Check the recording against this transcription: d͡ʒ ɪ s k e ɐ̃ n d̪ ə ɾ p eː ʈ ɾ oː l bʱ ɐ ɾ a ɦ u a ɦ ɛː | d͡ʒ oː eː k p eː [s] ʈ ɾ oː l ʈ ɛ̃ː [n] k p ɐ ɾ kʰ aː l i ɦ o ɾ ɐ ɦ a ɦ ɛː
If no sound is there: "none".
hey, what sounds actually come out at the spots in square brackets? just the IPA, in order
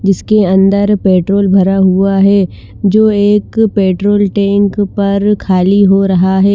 none, ŋ

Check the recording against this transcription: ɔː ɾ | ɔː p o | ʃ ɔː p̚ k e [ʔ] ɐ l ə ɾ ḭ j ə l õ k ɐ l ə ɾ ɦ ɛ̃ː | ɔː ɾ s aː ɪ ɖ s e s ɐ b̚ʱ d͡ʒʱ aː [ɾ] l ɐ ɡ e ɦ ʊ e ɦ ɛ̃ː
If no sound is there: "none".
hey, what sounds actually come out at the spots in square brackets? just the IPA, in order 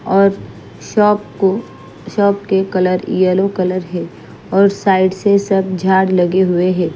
k, ɽ

